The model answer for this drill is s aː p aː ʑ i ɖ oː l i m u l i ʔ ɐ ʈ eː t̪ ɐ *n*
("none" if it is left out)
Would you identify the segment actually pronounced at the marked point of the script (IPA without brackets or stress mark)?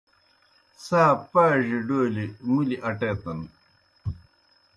n